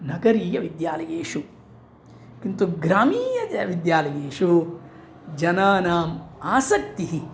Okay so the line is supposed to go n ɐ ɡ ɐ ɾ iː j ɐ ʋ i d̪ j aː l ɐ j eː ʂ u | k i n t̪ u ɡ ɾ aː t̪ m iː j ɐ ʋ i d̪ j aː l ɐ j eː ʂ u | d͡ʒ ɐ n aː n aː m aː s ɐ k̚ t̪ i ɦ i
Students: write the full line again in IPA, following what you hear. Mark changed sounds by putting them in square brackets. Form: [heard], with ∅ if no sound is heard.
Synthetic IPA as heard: n ɐ ɡ ɐ ɾ iː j ɐ ʋ i d̪ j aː l ɐ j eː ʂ u | k i n t̪ u ɡ ɾ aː [∅] m iː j ɐ ʋ i d̪ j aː l ɐ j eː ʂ u | d͡ʒ ɐ n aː n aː m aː s ɐ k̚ t̪ i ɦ i